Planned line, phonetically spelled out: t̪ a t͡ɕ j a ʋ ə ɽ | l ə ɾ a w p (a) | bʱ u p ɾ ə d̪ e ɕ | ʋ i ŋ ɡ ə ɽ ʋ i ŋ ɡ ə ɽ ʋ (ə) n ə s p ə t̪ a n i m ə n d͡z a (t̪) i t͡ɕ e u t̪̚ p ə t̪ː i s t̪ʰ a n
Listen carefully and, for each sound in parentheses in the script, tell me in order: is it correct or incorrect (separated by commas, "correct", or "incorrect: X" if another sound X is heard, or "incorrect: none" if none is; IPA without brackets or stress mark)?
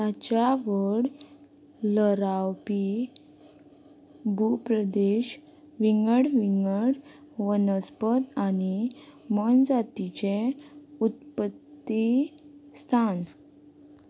incorrect: i, correct, correct